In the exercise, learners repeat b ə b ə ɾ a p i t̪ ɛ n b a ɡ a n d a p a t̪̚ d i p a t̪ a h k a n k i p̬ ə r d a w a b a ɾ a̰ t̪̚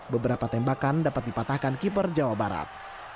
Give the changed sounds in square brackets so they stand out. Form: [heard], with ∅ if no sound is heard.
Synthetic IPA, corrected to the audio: b ə b ə ɾ a p [a] t̪ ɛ [m] b a [k] a n d a p a t̪̚ d i p a t̪ a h k a n k i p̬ ə r [d͡ʒ] a w a b a ɾ a̰ t̪̚